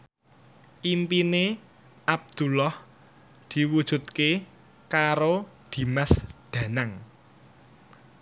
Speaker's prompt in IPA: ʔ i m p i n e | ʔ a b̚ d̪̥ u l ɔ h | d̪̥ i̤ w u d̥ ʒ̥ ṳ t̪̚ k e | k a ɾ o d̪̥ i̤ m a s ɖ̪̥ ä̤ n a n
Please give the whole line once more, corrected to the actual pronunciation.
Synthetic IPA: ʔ i m p i n e | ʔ a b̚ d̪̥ u l ɔ h | d̪̥ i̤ w u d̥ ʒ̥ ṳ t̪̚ k e | k a ɾ o d̪̥ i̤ m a s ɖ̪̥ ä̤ n a ŋ